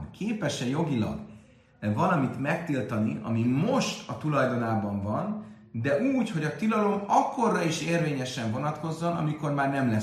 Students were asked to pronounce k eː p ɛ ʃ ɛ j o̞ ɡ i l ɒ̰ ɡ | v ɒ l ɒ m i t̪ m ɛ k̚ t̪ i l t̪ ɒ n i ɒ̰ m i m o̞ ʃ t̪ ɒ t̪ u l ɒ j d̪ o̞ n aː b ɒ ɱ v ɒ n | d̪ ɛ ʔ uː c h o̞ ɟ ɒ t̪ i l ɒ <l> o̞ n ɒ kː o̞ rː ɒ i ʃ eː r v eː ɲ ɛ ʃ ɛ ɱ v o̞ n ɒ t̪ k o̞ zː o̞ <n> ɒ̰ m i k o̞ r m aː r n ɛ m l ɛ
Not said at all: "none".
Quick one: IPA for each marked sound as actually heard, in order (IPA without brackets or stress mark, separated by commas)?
l, n